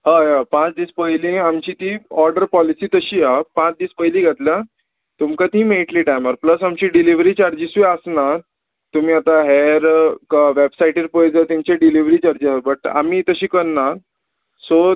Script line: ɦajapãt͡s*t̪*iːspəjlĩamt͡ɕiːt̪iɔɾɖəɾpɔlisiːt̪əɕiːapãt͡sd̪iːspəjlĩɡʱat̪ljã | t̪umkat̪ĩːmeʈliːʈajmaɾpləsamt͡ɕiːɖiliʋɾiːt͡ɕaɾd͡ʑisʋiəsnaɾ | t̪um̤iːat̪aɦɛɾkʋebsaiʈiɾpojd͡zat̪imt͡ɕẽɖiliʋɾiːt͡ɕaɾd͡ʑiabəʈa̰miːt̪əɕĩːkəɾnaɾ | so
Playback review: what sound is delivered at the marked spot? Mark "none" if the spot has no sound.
d̪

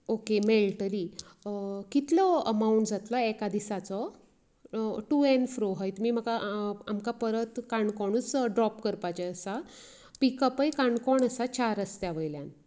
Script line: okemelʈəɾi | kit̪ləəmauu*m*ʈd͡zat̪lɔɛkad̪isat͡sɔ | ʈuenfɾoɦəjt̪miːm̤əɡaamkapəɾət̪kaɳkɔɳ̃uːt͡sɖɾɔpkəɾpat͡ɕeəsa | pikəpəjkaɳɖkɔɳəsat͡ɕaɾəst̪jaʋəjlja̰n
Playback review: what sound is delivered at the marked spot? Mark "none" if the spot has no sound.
ɳ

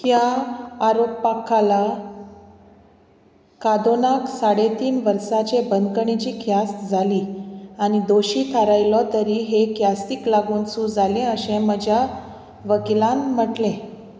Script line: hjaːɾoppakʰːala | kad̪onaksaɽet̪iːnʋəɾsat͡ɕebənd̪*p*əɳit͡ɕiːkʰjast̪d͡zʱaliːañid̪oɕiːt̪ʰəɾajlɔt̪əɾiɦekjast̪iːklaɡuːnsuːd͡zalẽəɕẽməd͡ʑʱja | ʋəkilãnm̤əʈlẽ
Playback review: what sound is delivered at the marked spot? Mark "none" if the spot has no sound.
k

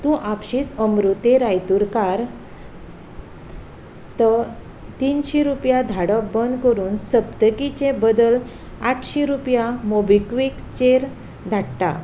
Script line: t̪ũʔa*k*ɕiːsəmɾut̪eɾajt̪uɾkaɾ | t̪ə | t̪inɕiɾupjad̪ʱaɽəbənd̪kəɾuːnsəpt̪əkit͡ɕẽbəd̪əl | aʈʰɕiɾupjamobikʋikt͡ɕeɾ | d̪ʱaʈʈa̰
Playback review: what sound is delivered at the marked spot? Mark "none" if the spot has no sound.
p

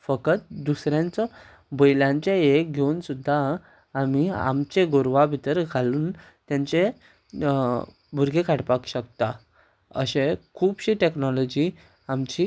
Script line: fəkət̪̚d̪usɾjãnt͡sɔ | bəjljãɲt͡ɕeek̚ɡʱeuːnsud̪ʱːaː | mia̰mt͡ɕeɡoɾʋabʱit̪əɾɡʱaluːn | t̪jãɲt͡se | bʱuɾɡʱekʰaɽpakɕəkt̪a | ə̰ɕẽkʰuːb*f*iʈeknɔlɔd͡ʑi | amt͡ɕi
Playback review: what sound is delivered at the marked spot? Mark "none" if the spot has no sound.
ɕ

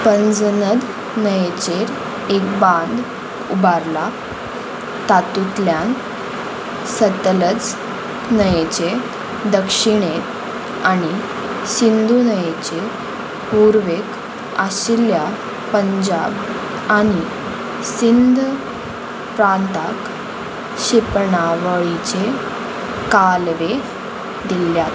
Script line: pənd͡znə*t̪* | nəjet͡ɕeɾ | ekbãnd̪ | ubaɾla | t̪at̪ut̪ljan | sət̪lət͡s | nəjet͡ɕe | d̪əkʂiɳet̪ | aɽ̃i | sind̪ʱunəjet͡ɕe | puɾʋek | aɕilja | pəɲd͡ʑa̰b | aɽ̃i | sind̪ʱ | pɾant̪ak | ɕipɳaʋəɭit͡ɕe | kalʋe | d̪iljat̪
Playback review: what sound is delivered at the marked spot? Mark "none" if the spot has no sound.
d̪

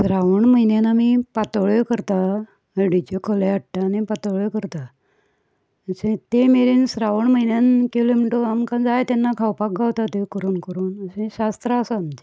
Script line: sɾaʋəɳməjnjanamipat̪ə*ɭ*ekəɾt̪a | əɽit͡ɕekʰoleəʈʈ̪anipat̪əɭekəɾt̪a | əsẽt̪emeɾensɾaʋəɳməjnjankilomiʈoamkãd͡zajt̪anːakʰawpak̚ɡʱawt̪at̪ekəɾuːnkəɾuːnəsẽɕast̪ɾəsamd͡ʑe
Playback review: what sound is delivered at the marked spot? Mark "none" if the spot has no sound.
ɭ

